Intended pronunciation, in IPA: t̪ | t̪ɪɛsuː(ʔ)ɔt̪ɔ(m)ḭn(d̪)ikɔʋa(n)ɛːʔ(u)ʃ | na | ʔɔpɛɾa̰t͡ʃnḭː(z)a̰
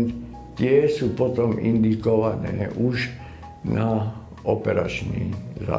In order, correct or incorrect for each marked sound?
incorrect, correct, correct, correct, correct, correct

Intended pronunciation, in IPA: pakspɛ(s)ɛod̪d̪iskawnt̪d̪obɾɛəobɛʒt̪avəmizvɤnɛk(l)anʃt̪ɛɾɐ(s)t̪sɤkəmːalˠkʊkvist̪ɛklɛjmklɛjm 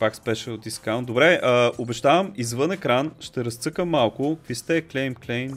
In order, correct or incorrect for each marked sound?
incorrect, incorrect, correct

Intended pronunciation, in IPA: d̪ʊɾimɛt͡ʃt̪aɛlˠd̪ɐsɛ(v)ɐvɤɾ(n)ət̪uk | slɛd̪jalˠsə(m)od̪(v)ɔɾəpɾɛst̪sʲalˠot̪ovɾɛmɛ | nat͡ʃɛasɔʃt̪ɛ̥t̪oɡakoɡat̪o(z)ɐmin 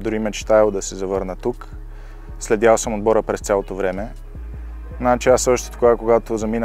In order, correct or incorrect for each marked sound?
incorrect, correct, correct, incorrect, correct

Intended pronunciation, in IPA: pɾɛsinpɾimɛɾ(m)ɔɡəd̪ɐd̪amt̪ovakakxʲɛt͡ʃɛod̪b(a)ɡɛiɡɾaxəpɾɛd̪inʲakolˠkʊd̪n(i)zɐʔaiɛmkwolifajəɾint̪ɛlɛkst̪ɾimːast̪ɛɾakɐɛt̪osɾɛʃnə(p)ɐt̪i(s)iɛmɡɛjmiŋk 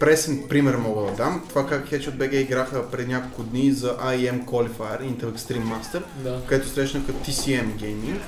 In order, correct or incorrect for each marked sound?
correct, incorrect, correct, incorrect, correct

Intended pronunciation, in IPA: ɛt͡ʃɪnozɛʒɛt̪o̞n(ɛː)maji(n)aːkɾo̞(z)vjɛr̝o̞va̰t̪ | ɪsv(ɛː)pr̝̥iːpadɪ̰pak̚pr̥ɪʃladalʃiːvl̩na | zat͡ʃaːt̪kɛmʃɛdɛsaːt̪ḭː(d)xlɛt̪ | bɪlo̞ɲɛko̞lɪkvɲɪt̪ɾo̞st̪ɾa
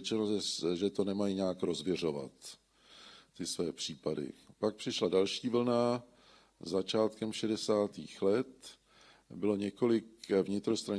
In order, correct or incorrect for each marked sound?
incorrect, incorrect, correct, correct, incorrect

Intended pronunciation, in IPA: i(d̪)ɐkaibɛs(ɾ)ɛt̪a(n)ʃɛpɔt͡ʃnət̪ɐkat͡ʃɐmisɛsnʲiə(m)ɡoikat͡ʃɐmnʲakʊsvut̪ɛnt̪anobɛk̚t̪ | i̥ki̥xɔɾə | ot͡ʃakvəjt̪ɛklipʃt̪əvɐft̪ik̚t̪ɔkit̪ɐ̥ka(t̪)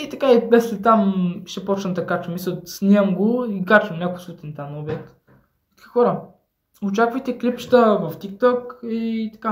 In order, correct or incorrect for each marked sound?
incorrect, incorrect, incorrect, correct, incorrect

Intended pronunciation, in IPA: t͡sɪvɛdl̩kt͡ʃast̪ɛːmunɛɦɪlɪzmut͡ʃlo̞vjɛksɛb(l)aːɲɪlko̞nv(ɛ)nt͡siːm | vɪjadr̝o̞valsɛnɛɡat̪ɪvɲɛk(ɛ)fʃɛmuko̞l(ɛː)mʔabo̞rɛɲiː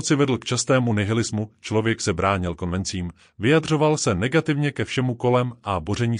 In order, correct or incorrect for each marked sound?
incorrect, correct, correct, incorrect

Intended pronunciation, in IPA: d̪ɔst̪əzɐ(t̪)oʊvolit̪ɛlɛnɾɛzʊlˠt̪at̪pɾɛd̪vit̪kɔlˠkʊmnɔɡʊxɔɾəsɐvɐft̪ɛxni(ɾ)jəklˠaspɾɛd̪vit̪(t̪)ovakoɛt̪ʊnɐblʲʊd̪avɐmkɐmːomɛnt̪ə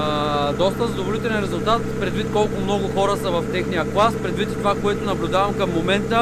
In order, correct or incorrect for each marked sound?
incorrect, incorrect, correct

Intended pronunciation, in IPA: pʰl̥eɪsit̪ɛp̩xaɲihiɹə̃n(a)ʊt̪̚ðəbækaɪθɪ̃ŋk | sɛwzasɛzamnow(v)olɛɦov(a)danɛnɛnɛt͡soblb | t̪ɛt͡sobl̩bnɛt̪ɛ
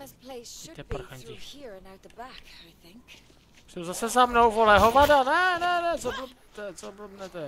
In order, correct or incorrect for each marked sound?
correct, correct, correct

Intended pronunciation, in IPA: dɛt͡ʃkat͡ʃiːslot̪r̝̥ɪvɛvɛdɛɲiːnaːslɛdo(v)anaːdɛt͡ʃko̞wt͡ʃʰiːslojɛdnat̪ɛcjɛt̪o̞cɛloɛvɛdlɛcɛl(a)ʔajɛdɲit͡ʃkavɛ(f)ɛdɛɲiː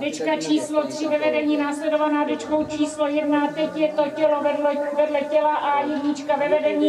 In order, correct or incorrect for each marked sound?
correct, correct, incorrect

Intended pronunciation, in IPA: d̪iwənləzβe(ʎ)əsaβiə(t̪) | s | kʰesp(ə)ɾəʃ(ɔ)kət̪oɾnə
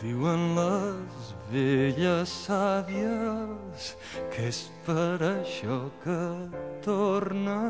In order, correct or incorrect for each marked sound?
correct, incorrect, correct, correct

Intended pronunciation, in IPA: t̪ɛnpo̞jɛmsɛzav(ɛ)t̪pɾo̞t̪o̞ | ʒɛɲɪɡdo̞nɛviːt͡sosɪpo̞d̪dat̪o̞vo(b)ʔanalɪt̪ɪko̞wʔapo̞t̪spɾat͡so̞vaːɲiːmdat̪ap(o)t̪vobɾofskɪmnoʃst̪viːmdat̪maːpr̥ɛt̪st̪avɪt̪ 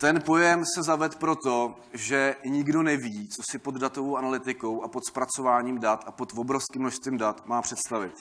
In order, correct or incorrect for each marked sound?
correct, incorrect, correct

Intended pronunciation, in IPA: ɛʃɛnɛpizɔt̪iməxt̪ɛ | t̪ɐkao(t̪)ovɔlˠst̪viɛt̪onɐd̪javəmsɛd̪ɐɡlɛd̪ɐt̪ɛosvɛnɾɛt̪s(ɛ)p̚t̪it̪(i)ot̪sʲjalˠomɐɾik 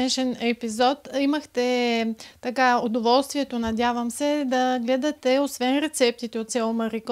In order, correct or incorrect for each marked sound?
incorrect, correct, incorrect

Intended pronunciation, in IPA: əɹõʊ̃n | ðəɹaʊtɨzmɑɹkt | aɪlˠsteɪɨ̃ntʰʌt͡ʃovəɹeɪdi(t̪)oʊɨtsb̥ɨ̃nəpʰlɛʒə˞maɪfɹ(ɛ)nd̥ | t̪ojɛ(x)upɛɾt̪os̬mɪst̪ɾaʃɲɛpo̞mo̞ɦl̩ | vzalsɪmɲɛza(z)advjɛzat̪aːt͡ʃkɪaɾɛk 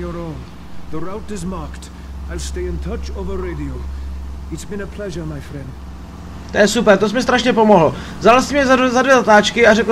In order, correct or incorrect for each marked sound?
incorrect, incorrect, incorrect, correct

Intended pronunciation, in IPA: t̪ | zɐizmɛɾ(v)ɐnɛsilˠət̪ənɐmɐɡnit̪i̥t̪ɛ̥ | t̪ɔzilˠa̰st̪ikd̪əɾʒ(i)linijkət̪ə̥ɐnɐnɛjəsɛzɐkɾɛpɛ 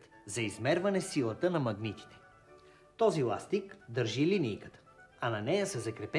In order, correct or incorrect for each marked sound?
correct, correct

